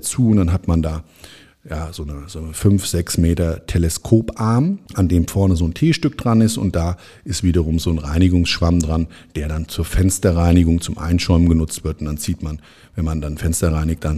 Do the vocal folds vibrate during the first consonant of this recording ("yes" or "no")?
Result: no